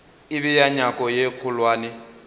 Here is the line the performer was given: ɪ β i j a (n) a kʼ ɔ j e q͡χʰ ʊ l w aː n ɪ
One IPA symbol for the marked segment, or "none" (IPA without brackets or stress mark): ɲ